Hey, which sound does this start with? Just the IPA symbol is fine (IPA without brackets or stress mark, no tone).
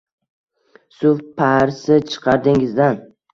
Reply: s